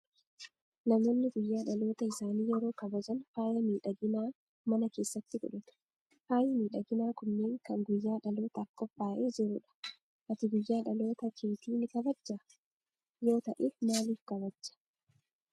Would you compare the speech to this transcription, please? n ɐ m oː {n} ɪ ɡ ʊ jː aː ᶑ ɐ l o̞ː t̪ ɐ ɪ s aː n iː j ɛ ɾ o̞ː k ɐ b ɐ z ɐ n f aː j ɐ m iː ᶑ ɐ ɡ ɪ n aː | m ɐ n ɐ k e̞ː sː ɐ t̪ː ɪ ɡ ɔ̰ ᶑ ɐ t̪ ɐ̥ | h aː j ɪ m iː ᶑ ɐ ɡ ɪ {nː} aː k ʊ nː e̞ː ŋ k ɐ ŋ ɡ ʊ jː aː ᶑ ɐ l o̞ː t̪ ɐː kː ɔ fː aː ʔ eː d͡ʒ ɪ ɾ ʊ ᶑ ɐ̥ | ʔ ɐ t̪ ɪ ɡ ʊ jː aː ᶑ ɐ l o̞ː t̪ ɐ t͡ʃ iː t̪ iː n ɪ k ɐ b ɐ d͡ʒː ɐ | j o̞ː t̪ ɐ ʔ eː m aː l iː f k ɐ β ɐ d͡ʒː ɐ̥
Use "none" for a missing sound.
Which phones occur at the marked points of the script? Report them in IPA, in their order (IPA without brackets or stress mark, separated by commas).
nː, n